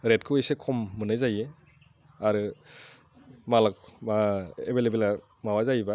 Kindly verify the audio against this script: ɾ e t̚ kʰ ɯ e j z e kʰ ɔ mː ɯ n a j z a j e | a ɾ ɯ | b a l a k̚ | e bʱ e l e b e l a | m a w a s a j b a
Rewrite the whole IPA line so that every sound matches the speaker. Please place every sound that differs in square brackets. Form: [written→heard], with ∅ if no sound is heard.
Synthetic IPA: ɾ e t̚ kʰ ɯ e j [z→s] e kʰ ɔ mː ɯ n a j z a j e | a ɾ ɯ | [b→m] a l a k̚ | e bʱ e l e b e l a | m a w a [s→z] a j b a